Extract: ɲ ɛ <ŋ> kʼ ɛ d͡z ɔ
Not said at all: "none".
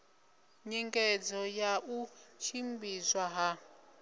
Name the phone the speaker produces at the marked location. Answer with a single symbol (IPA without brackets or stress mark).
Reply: ŋ